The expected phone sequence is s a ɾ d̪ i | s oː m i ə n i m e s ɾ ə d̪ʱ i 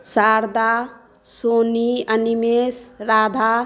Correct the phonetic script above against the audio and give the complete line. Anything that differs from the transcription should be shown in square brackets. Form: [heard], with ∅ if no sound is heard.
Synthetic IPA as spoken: s a ɾ d̪ [a] | s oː [n] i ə n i m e s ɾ [a] d̪ʱ [a]